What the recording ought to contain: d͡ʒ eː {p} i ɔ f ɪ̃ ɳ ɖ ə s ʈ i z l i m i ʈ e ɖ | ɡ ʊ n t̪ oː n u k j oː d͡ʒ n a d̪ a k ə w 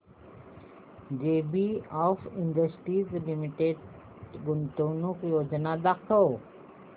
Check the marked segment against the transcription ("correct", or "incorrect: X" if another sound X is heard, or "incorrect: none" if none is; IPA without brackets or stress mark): incorrect: b